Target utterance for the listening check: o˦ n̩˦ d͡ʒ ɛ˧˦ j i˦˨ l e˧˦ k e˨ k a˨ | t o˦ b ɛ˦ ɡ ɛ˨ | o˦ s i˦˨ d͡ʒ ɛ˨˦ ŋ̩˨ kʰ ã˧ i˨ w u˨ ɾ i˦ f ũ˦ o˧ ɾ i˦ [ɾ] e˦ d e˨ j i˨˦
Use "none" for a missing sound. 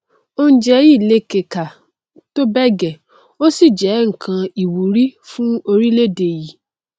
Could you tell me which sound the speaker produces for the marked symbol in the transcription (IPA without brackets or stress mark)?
l